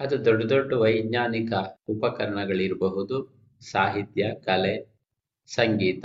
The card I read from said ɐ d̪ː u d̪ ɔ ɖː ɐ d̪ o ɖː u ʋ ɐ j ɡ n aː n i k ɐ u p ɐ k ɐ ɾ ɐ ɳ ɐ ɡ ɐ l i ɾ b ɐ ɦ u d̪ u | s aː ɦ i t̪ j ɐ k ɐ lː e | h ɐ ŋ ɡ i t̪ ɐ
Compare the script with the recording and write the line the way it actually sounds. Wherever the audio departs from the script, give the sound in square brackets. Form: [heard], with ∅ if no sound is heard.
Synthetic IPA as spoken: ɐ [d̪] u d̪ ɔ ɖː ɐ d̪ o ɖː u ʋ ɐ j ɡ [ɲ] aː n i k ɐ u p ɐ k ɐ ɾ ɐ ɳ ɐ ɡ ɐ [ɭ] i ɾ b ɐ ɦ u d̪ u | s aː ɦ i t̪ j ɐ k ɐ [l] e | [s] ɐ ŋ ɡ [iː] t̪ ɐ